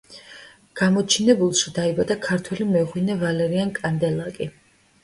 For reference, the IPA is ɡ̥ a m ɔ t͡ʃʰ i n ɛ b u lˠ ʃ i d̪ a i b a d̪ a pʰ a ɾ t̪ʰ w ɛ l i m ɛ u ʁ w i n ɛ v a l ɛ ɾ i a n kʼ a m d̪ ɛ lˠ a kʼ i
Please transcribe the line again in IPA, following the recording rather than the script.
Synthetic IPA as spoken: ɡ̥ a m ɔ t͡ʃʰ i n ɛ b u lˠ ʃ i d̪ a i b a d̪ a kʰ a ɾ t̪ʰ w ɛ l i m ɛ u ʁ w i n ɛ v a l ɛ ɾ i a n kʼ a n d̪ ɛ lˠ a kʼ i

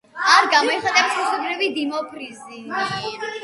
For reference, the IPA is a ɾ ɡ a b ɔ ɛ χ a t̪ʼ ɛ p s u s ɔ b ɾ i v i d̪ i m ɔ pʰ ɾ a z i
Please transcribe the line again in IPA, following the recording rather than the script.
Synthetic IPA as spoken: a ɾ ɡ a m ɔ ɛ χ a t̪ʼ ɛ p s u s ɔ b ɾ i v i d̪ i m ɔ pʰ ɾ i z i

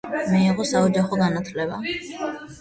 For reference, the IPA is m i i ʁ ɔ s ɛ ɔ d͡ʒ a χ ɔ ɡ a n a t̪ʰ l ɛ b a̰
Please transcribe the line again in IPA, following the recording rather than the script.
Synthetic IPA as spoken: m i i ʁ ɔ s a ɔ d͡ʒ a χ ɔ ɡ a n a t̪ʰ l ɛ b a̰

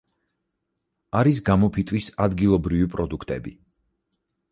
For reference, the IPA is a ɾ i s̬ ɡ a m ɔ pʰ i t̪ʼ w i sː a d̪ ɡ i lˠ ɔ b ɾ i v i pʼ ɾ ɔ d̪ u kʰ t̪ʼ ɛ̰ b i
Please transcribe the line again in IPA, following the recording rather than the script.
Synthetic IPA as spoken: a ɾ i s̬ ɡ a m ɔ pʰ i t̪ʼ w i s a d̪ ɡ i lˠ ɔ b ɾ i v i pʼ ɾ ɔ d̪ u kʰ t̪ʼ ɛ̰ b i

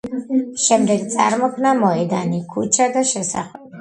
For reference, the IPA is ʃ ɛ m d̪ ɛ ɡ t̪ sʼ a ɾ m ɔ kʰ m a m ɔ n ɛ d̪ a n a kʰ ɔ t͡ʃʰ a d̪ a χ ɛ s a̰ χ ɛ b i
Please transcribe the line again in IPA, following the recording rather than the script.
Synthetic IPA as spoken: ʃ ɛ m d̪ ɛ ɡ t̪ sʼ a ɾ m ɔ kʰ n a m ɔ ɛ d̪ a n i kʰ u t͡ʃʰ a d̪ a ʃ ɛ s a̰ χ ɛ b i

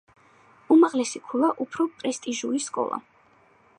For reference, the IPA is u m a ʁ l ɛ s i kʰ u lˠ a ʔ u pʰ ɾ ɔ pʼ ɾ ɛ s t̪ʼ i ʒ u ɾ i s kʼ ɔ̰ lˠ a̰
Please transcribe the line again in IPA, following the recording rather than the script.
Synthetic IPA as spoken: u m a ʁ l ɛ s i kʰ u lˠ a ʔ u pʰ ɾ ɔ pʼ ɾ ɛ s t̪ʼ i ʒ u ɾ i s kʼ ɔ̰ lˠ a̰

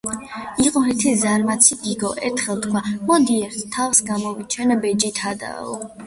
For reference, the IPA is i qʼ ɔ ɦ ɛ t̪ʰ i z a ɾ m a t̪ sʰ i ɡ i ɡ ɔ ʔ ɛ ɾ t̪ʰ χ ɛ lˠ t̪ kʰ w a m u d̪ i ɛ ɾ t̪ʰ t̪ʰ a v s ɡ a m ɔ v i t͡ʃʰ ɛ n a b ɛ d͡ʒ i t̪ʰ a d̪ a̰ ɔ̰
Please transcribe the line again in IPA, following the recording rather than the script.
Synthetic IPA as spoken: i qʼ ɔ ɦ ɛ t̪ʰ i z a ɾ m a t̪ sʰ i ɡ i ɡ ɔ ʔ ɛ ɾ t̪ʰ χ ɛ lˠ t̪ kʰ w a m ɔ d̪ i ɛ ɾ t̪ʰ t̪ʰ a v s ɡ a m ɔ v i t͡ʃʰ ɛ n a b ɛ d͡ʒ i t̪ʰ a d̪ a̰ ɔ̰

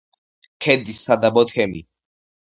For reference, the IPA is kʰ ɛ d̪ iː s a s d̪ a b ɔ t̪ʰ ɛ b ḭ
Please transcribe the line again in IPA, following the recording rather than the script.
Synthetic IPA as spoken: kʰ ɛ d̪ i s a d̪ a b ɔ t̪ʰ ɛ m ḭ

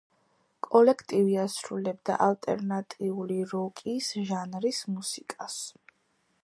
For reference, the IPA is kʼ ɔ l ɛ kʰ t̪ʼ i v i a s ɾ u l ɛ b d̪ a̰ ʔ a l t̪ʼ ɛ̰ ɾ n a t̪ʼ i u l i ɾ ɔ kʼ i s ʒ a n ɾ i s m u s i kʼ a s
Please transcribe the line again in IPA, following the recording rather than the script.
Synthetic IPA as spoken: kʼ ɔ l ɛ kʰ t̪ʼ i v i a s ɾ u l ɛ b d̪ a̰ ʔ a l t̪ʼ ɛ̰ ɾ n a t̪ʼ i u l i ɾ ɔ kʼ i s ʒ a n ɾ i s m u s i kʼ a s

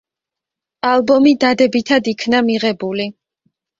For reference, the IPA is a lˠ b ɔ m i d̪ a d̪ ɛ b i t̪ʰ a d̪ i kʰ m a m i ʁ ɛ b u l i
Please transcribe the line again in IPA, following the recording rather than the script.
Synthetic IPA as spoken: a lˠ b ɔ m i d̪ a d̪ ɛ b i t̪ʰ a d̪ i kʰ n a m i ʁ ɛ b u l i

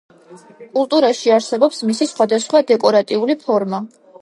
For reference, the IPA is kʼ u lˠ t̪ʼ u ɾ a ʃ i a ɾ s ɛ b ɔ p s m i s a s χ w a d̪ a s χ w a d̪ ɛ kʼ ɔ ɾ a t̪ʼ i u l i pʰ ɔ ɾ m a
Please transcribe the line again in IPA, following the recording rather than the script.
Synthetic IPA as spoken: kʼ u lˠ t̪ʼ u ɾ a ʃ i a ɾ s ɛ b ɔ p s m i s i s χ w a d̪ a s χ w a d̪ ɛ kʼ ɔ ɾ a t̪ʼ i u l i pʰ ɔ ɾ m a

